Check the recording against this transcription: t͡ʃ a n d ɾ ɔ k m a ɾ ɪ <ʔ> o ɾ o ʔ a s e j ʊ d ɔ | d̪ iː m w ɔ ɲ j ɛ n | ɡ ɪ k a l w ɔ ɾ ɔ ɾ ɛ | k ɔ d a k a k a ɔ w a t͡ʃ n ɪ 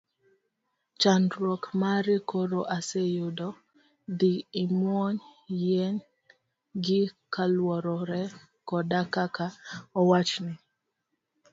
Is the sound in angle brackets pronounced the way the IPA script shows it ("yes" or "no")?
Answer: no